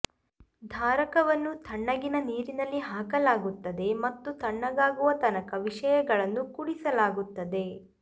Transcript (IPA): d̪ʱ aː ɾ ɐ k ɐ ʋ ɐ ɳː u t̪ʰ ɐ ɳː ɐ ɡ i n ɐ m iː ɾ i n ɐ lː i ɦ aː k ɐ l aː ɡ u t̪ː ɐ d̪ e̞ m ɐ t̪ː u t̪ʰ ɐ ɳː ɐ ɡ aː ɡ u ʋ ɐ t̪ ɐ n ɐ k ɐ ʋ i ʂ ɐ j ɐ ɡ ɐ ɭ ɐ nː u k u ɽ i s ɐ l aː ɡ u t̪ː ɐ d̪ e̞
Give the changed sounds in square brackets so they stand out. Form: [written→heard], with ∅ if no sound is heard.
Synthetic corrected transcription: d̪ʱ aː ɾ ɐ k ɐ ʋ ɐ [ɳː→nː] u t̪ʰ ɐ ɳː ɐ ɡ i n ɐ [m→n] iː ɾ i n ɐ lː i ɦ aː k ɐ l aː ɡ u t̪ː ɐ d̪ e̞ m ɐ t̪ː u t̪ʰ ɐ ɳː ɐ ɡ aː ɡ u ʋ ɐ t̪ ɐ n ɐ k ɐ ʋ i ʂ ɐ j ɐ ɡ ɐ ɭ ɐ nː u k u ɽ i s ɐ l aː ɡ u t̪ː ɐ d̪ e̞